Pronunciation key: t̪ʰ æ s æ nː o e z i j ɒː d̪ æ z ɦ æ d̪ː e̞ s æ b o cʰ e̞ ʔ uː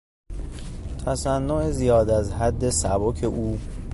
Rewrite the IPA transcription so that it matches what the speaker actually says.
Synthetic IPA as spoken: t̪ʰ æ s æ nː o e z i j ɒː d̪ æ z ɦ æ d̪ː e̞ s æ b o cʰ e̞ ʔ uː